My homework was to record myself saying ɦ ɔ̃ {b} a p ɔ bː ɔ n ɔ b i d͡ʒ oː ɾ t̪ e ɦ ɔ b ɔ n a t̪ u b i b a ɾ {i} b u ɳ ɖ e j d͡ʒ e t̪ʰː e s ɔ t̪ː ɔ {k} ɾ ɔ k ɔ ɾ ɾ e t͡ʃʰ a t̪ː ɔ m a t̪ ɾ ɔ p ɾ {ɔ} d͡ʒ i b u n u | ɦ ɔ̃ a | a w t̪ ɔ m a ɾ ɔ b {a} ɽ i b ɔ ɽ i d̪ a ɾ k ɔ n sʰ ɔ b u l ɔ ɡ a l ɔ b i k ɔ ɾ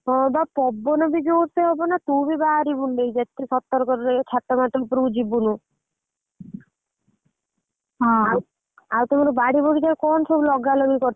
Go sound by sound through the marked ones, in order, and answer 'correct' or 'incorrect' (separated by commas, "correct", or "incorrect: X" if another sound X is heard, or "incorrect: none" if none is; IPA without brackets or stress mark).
correct, correct, incorrect: none, incorrect: u, correct